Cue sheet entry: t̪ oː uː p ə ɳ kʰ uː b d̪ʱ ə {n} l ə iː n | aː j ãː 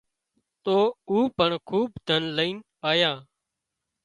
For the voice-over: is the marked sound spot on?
yes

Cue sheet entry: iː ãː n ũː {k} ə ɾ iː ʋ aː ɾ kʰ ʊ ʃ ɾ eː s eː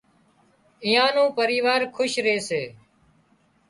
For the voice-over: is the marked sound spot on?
no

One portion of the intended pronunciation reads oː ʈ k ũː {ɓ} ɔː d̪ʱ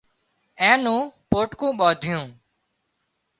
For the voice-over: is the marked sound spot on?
yes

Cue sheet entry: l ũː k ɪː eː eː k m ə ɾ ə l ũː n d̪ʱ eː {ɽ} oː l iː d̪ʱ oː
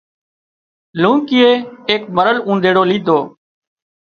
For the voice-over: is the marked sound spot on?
yes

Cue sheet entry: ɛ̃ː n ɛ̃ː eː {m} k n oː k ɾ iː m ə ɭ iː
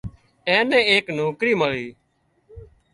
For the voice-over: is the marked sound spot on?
no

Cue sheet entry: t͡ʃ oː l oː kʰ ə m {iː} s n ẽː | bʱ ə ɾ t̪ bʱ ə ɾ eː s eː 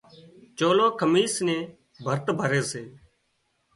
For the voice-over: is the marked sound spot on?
yes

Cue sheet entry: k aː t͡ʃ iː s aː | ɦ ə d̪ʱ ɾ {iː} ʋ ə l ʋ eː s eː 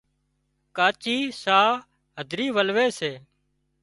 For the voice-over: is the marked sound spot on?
yes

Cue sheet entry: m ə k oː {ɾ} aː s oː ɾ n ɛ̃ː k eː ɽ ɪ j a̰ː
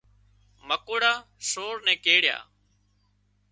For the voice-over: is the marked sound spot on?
no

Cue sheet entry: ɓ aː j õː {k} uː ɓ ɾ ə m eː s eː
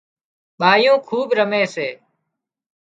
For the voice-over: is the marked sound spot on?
no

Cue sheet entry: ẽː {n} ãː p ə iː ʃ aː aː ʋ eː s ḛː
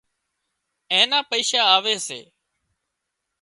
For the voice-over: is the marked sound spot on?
yes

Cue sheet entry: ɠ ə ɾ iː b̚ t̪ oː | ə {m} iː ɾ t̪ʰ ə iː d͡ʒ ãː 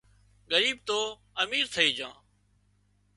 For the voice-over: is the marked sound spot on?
yes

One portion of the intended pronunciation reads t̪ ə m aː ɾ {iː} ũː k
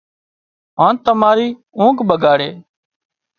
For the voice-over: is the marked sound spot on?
yes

